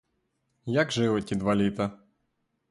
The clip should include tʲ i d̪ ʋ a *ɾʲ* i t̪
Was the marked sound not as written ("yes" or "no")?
yes